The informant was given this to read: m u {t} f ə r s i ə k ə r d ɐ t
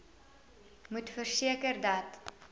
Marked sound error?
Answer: no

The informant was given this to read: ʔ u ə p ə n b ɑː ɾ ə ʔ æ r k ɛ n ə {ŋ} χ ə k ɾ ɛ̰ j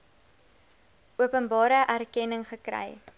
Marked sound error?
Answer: no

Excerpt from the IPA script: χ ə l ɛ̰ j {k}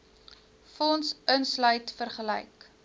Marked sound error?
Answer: no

